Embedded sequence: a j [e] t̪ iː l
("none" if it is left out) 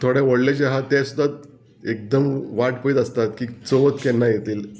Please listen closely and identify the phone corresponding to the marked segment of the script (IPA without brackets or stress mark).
e